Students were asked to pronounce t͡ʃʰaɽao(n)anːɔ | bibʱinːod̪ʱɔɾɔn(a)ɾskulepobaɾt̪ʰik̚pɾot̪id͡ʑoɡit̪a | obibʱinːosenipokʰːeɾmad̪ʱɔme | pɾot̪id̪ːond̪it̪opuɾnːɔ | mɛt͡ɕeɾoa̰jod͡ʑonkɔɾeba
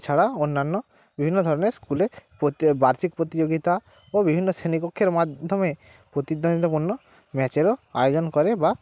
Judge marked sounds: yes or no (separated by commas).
no, no